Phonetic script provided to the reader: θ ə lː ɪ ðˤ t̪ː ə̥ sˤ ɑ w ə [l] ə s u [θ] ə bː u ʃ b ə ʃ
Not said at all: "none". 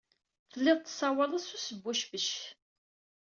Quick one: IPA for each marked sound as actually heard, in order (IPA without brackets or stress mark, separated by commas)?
l, s